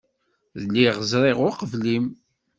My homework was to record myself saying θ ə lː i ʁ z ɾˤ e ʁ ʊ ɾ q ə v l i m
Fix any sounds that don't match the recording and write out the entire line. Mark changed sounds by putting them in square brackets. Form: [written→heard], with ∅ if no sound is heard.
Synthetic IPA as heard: [θ→ð] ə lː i ʁ z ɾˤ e ʁ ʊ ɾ q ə v l i m